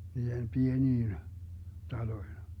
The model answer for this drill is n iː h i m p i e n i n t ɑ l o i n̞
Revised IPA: n iː h e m p i e n iː n t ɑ l o i n̞

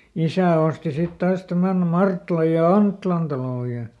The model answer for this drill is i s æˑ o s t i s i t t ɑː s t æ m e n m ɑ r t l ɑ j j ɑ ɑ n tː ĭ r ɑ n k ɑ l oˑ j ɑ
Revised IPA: i s æˑ o s t i s i t t ɑː s t æ m æ n m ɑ r t l ɑ j j ɑ ɑ n tː ĭ l ɑ n t ɑ l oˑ j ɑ

